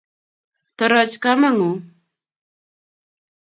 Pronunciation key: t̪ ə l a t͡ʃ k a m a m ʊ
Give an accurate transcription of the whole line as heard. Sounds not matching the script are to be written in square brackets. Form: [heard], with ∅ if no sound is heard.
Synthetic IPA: t̪ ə [ɾ] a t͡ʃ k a m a [ŋ] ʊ